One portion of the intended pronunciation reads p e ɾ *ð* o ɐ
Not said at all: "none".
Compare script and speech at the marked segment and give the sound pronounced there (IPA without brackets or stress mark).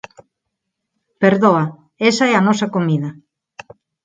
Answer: ð